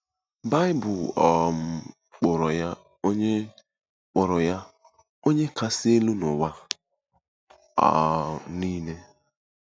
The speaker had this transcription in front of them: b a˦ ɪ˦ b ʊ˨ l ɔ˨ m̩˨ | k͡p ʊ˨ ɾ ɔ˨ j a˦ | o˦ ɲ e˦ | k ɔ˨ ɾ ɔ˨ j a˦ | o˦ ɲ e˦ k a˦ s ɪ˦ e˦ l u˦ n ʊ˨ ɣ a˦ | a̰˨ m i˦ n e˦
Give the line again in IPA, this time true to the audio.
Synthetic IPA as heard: b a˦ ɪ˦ b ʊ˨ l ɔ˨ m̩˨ | k͡p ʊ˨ ɾ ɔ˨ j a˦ | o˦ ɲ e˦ | k͡p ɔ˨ ɾ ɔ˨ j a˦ | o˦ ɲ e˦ k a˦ s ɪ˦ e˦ l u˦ n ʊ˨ w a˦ | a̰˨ n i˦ n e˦